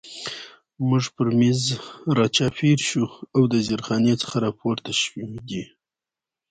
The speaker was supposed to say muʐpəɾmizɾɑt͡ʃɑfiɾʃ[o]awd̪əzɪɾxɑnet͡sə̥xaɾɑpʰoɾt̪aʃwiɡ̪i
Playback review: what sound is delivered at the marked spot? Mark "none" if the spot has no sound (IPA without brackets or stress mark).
u